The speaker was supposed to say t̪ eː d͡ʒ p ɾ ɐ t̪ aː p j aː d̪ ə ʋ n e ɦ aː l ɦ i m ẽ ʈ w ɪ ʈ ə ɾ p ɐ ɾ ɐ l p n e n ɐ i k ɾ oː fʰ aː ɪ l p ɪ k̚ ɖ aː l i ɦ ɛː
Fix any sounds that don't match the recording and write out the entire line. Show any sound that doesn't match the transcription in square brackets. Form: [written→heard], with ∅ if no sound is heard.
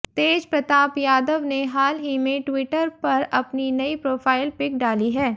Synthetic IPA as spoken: t̪ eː d͡ʒ p ɾ ɐ t̪ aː p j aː d̪ ə ʋ n e ɦ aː l ɦ i m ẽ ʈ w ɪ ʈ ə ɾ p ɐ ɾ ɐ [l→∅] p n [e→i] n ɐ i [k→p] ɾ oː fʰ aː ɪ l p ɪ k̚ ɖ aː l i ɦ ɛː

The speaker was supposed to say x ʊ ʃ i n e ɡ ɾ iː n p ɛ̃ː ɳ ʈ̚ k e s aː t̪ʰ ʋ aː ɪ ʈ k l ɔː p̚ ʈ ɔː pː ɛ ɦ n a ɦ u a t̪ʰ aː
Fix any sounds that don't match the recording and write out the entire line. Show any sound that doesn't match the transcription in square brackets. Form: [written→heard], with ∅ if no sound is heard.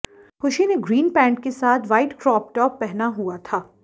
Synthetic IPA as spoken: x ʊ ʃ i n e ɡ ɾ iː n p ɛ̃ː ɳ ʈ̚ k e s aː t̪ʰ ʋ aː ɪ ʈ k [l→ɾ] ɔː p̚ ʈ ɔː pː ɛ ɦ n a ɦ u a t̪ʰ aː

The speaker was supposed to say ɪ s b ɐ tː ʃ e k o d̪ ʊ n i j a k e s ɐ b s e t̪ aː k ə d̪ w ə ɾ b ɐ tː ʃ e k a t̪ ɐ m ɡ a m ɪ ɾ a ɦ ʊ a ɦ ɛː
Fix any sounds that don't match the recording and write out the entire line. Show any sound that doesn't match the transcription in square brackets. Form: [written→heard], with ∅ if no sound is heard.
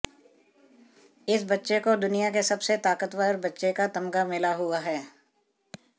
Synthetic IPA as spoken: ɪ s b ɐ tː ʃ e k o d̪ ʊ n i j a k e s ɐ b s e t̪ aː k ə [d̪→t̪] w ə ɾ b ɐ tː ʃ e k a t̪ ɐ m ɡ a m ɪ [ɾ→l] a ɦ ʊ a ɦ ɛː

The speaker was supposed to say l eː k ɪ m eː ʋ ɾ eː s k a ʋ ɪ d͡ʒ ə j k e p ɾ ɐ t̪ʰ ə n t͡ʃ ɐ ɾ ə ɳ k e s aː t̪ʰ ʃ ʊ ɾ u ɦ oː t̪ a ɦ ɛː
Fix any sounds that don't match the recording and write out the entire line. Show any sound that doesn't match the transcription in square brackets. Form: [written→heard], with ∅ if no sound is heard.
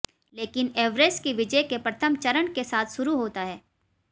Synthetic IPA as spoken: l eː k ɪ [m→n] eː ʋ ɾ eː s k [a→i] ʋ ɪ d͡ʒ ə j k e p ɾ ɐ t̪ʰ ə [n→m] t͡ʃ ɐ ɾ ə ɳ k e s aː t̪ʰ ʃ ʊ ɾ u ɦ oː t̪ a ɦ ɛː

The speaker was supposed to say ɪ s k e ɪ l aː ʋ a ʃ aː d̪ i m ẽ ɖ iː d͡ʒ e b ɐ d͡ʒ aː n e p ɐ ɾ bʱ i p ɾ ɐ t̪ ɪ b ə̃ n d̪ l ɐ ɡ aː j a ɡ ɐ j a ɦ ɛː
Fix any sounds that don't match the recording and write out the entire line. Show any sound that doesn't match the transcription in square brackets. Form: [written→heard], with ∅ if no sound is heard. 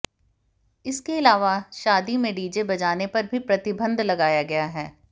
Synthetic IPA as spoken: ɪ s k e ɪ l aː ʋ a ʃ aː d̪ i m ẽ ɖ iː d͡ʒ e b ɐ d͡ʒ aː n e p ɐ ɾ bʱ i p ɾ ɐ t̪ ɪ b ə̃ n d̪ l ɐ ɡ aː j a ɡ ɐ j a ɦ ɛː

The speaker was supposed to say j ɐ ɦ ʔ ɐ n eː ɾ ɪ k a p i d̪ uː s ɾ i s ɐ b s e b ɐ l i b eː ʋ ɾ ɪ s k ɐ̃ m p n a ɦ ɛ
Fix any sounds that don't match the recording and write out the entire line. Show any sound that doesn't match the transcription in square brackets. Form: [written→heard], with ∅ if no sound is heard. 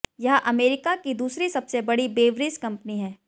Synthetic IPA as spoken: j ɐ ɦ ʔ ɐ [n→m] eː ɾ ɪ k a [p→k] i d̪ uː s ɾ i s ɐ b s e b ɐ [l→ɽ] i b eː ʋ ɾ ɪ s k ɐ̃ m p n [a→i] ɦ [ɛ→ɛː]

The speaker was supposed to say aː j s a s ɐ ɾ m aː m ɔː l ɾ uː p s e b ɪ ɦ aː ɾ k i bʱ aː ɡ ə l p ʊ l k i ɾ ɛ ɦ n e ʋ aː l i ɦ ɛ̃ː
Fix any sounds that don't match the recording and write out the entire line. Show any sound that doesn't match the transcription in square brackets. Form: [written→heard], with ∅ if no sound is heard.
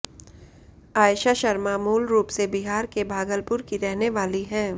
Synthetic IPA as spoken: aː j [s→ʃ] a [s→ʃ] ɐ ɾ m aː m [ɔː→uː] l ɾ uː p s e b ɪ ɦ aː ɾ k [i→e] bʱ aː ɡ ə l p ʊ [l→ɾ] k i ɾ ɛ ɦ n e ʋ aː l i ɦ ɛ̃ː

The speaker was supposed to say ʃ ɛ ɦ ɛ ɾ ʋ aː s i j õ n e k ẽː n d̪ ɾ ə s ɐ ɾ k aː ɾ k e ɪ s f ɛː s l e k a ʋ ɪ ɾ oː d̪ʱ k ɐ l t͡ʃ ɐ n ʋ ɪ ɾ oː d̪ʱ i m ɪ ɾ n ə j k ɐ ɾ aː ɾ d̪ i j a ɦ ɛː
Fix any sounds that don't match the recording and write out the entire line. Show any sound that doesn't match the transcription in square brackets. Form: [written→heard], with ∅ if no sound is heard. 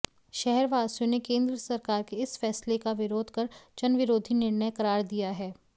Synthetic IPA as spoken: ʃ ɛ ɦ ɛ ɾ ʋ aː s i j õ n e k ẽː n d̪ ɾ ə s ɐ ɾ k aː ɾ k e ɪ s f ɛː s l e k a ʋ ɪ ɾ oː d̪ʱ k ɐ [l→ɾ] t͡ʃ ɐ n ʋ ɪ ɾ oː d̪ʱ i [m→n] ɪ ɾ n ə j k ɐ ɾ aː ɾ d̪ i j a ɦ ɛː

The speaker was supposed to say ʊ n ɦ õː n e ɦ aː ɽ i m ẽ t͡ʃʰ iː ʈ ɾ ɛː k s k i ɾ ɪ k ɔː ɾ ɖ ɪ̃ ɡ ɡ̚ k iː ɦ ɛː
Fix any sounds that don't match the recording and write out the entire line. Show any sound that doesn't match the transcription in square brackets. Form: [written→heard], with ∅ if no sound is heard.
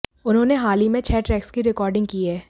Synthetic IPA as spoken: ʊ n ɦ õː n e ɦ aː [ɽ→l] i m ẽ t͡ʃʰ [iː→ɛː] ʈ ɾ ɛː k s k i ɾ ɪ k ɔː ɾ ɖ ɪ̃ [ɡ→ŋ] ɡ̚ k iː ɦ ɛː

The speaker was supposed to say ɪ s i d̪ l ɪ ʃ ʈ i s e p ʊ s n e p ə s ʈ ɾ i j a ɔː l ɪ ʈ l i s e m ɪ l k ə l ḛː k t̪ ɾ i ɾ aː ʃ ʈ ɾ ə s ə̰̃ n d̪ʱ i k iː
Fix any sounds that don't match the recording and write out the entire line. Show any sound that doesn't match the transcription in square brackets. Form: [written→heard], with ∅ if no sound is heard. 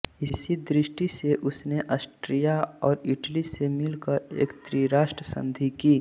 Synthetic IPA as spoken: ɪ s i d̪ [l→ɾ] ɪ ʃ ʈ i s e [p→ʔ] ʊ s n e [p→ʔ] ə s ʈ ɾ i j a ɔː [l→ɾ] ɪ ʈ l i s e m ɪ l k ə [l→ɾ] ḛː k t̪ ɾ i ɾ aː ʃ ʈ ɾ ə s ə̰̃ n d̪ʱ i k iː

